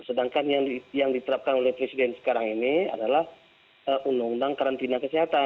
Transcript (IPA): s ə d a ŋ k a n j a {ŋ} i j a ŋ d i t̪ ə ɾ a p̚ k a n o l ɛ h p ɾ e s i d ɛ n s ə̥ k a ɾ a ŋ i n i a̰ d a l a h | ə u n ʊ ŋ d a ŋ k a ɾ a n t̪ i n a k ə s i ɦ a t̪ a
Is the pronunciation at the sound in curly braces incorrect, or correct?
correct